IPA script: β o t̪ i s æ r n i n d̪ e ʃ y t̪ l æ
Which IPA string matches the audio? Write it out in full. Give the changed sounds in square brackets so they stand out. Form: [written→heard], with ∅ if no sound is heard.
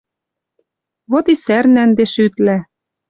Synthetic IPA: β o t̪ i s æ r n [i→æ] n d̪ e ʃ y t̪ l æ